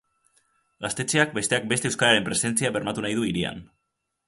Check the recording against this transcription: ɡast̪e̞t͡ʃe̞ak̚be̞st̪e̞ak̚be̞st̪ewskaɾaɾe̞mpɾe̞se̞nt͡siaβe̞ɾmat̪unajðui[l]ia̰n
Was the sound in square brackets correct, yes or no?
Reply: no